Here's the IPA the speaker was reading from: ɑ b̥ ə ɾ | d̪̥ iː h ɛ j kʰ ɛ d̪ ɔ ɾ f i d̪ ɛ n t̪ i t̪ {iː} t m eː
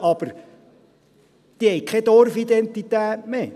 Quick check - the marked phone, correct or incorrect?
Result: incorrect